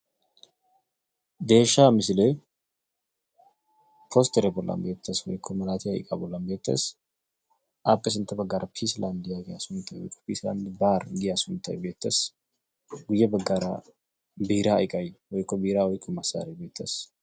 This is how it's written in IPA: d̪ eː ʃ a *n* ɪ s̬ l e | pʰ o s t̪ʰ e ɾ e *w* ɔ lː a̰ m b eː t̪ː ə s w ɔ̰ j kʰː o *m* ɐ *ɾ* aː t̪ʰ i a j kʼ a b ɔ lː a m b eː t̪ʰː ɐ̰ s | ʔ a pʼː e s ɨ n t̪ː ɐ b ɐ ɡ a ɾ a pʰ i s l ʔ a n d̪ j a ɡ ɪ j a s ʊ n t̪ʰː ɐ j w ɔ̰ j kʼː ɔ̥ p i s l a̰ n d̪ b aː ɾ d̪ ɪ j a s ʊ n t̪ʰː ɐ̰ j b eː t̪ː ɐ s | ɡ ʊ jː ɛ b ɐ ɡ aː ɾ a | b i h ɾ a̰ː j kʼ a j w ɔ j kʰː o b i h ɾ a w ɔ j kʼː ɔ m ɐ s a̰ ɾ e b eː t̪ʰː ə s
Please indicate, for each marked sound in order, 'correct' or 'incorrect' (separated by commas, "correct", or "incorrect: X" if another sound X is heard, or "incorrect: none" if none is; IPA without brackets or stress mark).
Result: incorrect: m, incorrect: b, correct, incorrect: l